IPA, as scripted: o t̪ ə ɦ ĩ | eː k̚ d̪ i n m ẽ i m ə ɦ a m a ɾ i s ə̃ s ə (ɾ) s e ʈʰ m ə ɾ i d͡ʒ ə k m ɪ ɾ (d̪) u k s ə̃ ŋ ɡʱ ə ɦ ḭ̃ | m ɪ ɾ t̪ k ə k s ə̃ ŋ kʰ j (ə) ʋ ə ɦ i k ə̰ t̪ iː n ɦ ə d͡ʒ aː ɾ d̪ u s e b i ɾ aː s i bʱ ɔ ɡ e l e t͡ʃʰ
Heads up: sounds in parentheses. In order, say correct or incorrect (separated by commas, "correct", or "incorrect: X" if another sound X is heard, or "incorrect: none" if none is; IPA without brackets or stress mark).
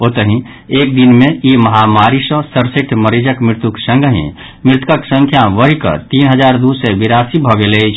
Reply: correct, incorrect: t̪, incorrect: a